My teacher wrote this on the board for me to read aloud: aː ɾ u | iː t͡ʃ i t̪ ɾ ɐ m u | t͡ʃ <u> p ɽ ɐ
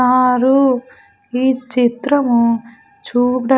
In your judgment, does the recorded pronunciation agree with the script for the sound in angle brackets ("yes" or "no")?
no